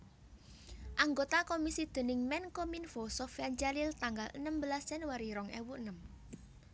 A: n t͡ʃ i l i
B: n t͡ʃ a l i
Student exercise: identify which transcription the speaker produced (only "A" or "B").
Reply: B